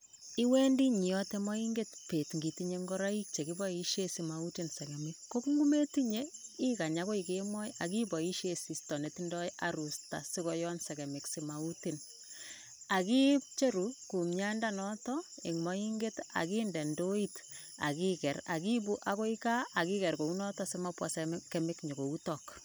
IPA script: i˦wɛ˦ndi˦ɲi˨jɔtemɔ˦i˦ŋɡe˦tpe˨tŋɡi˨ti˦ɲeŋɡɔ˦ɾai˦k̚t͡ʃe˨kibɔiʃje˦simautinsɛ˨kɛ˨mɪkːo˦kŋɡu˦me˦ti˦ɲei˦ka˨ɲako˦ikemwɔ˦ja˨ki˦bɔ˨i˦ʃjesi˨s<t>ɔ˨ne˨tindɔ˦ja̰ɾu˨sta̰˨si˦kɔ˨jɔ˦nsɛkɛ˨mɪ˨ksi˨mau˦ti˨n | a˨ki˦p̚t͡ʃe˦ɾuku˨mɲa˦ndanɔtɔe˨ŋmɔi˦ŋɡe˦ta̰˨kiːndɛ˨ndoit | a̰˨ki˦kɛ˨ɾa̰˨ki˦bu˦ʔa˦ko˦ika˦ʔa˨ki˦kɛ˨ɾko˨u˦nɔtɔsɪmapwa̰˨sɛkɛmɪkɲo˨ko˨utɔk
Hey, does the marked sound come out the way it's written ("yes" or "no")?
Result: yes